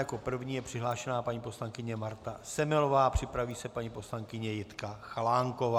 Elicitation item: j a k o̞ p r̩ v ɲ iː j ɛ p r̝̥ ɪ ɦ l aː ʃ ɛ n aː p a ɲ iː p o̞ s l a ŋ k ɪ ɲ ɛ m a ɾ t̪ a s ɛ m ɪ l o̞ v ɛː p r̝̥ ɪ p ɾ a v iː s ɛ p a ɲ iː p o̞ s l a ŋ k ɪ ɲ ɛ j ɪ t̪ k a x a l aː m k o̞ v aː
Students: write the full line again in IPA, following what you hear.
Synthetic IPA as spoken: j a k o̞ p r̩ v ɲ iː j ɛ p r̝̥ ɪ ɦ l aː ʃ ɛ n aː p a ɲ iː p o̞ s l a ŋ k ɪ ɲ ɛ m a ɾ t̪ a s ɛ m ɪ l o̞ v aː p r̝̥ ɪ p ɾ a v iː s ɛ p a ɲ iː p o̞ s l a ŋ k ɪ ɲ ɛ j ɪ t̪ k a x a l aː ŋ k o̞ v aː